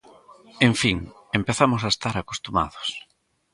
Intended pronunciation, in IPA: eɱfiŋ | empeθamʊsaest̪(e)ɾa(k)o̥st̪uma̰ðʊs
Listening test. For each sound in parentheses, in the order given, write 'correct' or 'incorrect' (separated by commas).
incorrect, correct